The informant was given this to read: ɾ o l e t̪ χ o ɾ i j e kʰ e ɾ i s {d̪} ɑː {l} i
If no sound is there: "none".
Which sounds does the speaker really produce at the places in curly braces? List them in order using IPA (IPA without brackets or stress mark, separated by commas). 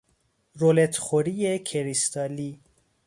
t̪, l